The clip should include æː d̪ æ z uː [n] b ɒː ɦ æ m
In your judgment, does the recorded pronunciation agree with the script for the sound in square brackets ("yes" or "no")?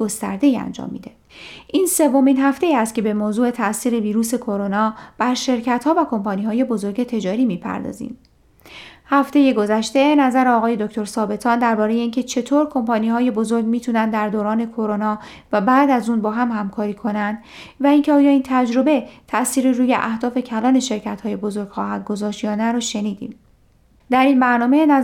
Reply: yes